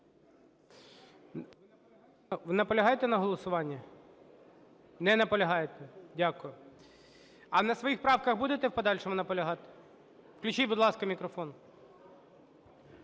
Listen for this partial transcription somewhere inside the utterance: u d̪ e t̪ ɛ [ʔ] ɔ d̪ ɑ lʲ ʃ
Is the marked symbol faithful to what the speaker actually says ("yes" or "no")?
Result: no